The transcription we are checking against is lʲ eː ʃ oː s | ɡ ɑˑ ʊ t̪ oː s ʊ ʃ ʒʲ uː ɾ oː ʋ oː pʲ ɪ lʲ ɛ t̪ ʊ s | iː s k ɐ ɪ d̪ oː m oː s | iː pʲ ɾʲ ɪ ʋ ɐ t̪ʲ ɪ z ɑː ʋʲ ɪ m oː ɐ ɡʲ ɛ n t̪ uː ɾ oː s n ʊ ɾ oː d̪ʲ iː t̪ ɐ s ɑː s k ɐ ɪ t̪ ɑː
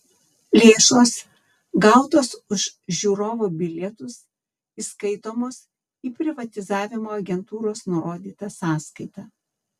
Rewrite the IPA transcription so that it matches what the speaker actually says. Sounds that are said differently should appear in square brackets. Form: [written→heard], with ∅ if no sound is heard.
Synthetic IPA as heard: lʲ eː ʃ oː s | ɡ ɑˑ ʊ t̪ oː s ʊ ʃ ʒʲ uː ɾ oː ʋ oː [pʲ→bʲ] ɪ lʲ ɛ t̪ ʊ s | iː s k ɐ ɪ [d̪→t̪] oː m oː s | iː pʲ ɾʲ ɪ ʋ ɐ t̪ʲ ɪ z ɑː ʋʲ ɪ m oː ɐ ɡʲ ɛ n t̪ uː ɾ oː s n ʊ ɾ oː d̪ʲ iː t̪ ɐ s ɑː s k ɐ ɪ t̪ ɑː

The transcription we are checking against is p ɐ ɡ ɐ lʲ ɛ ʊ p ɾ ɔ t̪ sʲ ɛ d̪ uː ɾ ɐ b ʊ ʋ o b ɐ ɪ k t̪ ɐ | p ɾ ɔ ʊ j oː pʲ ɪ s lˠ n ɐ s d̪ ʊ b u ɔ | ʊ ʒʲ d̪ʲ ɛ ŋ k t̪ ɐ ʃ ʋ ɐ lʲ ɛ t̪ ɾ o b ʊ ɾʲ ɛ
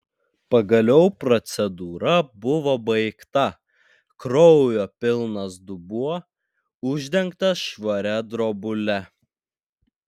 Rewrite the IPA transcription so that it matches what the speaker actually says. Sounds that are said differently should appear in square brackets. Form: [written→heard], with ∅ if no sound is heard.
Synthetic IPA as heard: p ɐ ɡ ɐ lʲ ɛ ʊ p ɾ ɔ t̪ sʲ ɛ d̪ uː ɾ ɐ b ʊ ʋ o b ɐ ɪ k t̪ ɐ | [p→k] ɾ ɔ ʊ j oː pʲ ɪ [s→∅] lˠ n ɐ s d̪ ʊ b u ɔ | ʊ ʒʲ d̪ʲ ɛ ŋ k t̪ ɐ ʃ ʋ ɐ [lʲ→ɾʲ] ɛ [t̪→d̪] ɾ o b ʊ [ɾʲ→lʲ] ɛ

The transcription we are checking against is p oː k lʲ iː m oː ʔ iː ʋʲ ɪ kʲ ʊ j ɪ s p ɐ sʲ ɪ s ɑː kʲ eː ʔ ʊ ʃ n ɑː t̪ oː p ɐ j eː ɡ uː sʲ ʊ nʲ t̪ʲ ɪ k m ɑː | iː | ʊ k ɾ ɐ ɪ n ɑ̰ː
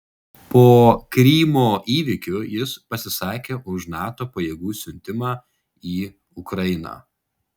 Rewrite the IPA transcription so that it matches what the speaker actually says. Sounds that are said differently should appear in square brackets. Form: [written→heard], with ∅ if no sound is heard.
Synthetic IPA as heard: p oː k [lʲ→ɾʲ] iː m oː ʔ iː ʋʲ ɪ kʲ ʊ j ɪ s p ɐ sʲ ɪ s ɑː kʲ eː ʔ ʊ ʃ n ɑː t̪ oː p ɐ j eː ɡ uː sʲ ʊ nʲ t̪ʲ ɪ [k→∅] m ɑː | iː | ʊ k ɾ ɐ ɪ n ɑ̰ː

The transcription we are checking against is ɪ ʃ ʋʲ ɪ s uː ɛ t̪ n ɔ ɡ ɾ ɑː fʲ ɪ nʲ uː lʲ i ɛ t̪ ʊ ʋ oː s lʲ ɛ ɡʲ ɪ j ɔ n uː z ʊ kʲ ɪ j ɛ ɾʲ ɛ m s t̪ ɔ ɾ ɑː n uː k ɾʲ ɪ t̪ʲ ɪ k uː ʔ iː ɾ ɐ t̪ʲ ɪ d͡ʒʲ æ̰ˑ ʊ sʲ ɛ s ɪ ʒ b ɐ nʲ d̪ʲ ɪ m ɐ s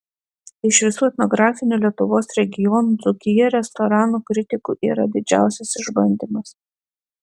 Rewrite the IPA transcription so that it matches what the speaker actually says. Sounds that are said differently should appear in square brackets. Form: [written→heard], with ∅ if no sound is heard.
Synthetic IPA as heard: ɪ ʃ ʋʲ ɪ s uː ɛ t̪ n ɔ ɡ ɾ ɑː fʲ ɪ nʲ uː lʲ i ɛ t̪ ʊ ʋ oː s [lʲ→ɾʲ] ɛ ɡʲ ɪ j ɔ n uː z ʊ kʲ ɪ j ɛ ɾʲ ɛ [m→∅] s t̪ ɔ ɾ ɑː n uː k ɾʲ ɪ t̪ʲ ɪ k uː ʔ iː ɾ ɐ [t̪ʲ→d̪ʲ] ɪ d͡ʒʲ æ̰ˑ ʊ sʲ ɛ s ɪ ʒ b ɐ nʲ d̪ʲ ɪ m ɐ s

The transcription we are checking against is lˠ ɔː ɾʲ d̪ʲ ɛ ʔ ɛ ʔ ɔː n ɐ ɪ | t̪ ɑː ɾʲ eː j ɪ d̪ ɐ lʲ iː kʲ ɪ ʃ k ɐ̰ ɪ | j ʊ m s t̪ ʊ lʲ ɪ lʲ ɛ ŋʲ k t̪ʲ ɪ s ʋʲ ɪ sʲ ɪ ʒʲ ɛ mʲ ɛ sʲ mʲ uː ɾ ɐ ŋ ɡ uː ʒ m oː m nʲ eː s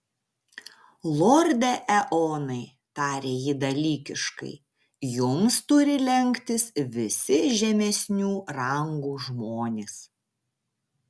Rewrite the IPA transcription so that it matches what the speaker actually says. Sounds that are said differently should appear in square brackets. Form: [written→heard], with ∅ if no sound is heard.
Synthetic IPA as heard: lˠ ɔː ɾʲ d̪ʲ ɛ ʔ ɛ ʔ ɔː n ɐ ɪ | t̪ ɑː ɾʲ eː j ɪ d̪ ɐ lʲ iː kʲ ɪ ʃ k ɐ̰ ɪ | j ʊ m s t̪ ʊ [lʲ→ɾʲ] ɪ lʲ ɛ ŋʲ k t̪ʲ ɪ s ʋʲ ɪ sʲ ɪ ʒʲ ɛ mʲ ɛ sʲ [mʲ→nʲ] uː ɾ ɐ ŋ ɡ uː ʒ m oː [m→∅] nʲ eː s

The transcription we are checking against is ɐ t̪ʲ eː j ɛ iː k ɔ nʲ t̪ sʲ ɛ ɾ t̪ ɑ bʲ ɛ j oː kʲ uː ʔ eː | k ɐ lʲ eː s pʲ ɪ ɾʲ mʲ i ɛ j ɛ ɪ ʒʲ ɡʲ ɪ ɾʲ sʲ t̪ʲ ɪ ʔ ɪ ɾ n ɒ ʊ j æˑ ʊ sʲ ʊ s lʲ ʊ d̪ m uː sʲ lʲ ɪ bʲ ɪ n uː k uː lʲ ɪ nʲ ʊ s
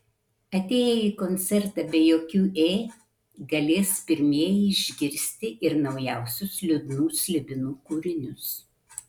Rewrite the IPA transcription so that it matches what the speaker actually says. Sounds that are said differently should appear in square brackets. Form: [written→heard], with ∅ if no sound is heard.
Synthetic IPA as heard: ɐ t̪ʲ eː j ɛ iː k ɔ nʲ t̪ sʲ ɛ ɾ t̪ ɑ bʲ ɛ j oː kʲ uː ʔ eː | [k→ɡ] ɐ lʲ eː s pʲ ɪ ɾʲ mʲ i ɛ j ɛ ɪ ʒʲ ɡʲ ɪ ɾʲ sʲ t̪ʲ ɪ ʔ ɪ ɾ n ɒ ʊ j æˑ ʊ sʲ ʊ s lʲ ʊ d̪ [m→n] uː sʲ lʲ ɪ bʲ ɪ n uː k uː [lʲ→ɾʲ] ɪ nʲ ʊ s

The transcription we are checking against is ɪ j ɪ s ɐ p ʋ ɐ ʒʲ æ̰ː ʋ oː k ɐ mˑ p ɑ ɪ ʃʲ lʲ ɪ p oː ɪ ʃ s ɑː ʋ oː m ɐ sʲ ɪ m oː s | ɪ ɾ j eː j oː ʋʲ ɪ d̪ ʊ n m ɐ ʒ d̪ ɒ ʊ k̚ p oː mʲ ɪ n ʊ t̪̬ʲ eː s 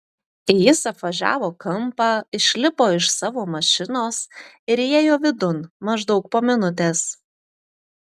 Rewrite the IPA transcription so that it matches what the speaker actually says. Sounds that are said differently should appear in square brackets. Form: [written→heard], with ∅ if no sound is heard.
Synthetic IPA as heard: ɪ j ɪ s ɐ p ʋ ɐ ʒʲ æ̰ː ʋ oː k ɐ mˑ p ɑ ɪ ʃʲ lʲ ɪ p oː ɪ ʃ s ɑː ʋ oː m ɐ [sʲ→ʃʲ] ɪ [m→n] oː s | ɪ ɾ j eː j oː ʋʲ ɪ d̪ ʊ n m ɐ ʒ d̪ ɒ ʊ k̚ p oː mʲ ɪ n ʊ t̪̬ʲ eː s

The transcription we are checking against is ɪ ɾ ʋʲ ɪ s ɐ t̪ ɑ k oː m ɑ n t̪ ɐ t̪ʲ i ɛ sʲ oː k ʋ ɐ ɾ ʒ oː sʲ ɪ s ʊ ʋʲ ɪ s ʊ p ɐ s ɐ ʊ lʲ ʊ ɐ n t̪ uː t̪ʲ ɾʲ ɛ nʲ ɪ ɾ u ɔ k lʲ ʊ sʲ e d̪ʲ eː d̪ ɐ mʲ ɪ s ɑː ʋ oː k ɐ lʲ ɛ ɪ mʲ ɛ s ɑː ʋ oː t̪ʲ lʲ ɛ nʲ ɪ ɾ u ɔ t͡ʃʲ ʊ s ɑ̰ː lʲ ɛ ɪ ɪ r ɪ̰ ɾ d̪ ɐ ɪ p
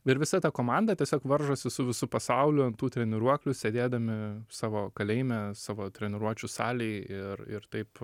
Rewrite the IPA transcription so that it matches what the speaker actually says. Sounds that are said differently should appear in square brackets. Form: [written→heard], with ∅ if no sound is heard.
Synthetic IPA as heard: ɪ ɾ ʋʲ ɪ s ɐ t̪ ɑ k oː m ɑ n [t̪→d̪] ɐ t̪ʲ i ɛ sʲ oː k ʋ ɐ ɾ ʒ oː sʲ ɪ s ʊ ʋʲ ɪ s ʊ p ɐ s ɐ ʊ lʲ ʊ ɐ n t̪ uː t̪ʲ ɾʲ ɛ nʲ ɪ ɾ u ɔ k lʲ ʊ sʲ e d̪ʲ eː d̪ ɐ mʲ ɪ s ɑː ʋ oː k ɐ lʲ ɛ ɪ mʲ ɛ s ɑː ʋ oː t̪ʲ [lʲ→ɾʲ] ɛ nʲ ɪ ɾ u ɔ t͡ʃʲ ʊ s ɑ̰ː lʲ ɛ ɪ ɪ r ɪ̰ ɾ [d̪→t̪] ɐ ɪ p

